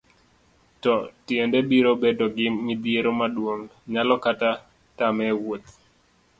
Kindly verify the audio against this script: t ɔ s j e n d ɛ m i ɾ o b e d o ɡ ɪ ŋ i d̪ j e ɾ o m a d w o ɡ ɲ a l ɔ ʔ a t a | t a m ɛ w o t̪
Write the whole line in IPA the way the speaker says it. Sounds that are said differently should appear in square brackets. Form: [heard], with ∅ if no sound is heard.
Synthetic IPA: t ɔ [t] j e n d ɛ [b] i ɾ o b e d o ɡ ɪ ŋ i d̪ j e ɾ o m a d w o [ŋ] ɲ a l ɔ [k] a t a | t a m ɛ w o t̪